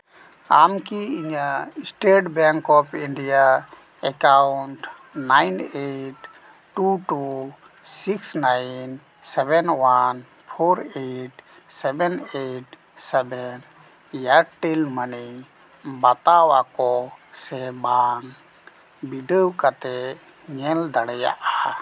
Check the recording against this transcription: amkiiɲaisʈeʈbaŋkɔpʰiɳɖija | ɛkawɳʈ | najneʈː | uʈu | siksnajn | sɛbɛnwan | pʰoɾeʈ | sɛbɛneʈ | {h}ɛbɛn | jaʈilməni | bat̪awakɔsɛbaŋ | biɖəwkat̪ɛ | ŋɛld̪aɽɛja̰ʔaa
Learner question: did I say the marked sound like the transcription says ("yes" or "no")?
no